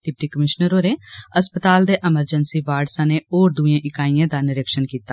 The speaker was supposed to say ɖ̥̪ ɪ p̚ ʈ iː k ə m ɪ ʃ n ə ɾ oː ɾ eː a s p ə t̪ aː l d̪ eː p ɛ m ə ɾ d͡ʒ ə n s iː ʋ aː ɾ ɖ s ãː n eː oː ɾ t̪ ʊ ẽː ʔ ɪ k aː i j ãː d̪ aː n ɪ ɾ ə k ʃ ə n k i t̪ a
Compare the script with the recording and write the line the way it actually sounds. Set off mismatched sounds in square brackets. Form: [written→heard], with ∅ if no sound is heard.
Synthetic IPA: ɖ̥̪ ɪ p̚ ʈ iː k ə m ɪ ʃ n ə ɾ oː ɾ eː [a→ə] s p ə t̪ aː l d̪ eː [p→ʔ] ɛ m ə ɾ d͡ʒ ə n s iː ʋ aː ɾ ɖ s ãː n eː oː ɾ [t̪→d̪] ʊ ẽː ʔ ɪ k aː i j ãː d̪ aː n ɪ ɾ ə k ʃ ə n k [i→iː] t̪ a